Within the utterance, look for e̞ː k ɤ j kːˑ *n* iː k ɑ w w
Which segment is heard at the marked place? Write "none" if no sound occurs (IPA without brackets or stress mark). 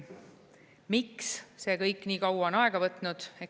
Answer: n